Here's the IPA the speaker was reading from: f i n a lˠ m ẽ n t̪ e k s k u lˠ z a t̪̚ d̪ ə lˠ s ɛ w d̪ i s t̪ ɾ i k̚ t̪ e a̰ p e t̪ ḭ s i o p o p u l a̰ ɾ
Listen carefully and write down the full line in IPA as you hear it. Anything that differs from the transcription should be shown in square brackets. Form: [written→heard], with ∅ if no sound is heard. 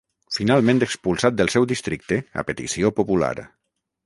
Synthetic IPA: f i n a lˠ m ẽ n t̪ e k s [k→p] u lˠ [z→s] a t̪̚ d̪ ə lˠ s ɛ w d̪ i s t̪ ɾ i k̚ t̪ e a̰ p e t̪ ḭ s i o p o p u l a̰ ɾ